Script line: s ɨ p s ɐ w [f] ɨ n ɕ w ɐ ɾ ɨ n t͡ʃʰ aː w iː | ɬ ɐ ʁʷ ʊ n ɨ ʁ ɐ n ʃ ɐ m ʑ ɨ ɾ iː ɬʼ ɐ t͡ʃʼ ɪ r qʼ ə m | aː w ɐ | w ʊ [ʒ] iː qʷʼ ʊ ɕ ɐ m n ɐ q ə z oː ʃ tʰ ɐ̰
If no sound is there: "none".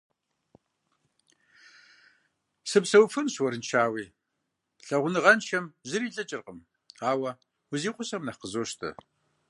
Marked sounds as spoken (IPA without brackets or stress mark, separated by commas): f, z